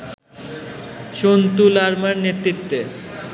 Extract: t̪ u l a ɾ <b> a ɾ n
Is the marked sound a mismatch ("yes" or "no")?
yes